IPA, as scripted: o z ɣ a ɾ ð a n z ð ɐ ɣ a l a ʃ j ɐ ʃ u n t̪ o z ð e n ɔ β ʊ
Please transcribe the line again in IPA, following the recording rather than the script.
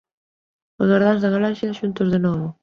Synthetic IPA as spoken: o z ɣ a ɾ ð a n z ð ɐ ɣ a l a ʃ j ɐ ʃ u n t̪ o z ð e n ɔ β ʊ